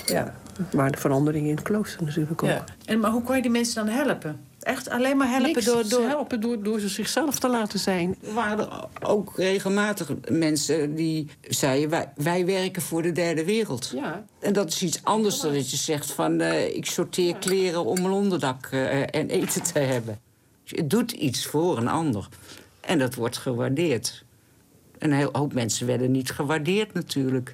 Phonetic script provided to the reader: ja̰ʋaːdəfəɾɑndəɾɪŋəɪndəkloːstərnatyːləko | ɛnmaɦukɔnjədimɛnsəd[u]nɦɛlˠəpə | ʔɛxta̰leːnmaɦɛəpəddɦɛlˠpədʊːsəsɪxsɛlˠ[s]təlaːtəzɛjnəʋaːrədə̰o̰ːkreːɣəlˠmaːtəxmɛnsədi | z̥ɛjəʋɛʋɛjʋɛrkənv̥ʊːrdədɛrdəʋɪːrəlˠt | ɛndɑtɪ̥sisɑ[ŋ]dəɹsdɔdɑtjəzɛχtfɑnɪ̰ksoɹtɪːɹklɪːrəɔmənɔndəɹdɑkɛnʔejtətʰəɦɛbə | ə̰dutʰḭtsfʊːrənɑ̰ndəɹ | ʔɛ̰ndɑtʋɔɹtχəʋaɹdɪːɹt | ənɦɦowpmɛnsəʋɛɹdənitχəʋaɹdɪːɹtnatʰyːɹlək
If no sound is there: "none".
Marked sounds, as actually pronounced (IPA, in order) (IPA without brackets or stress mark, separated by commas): ɔ, f, n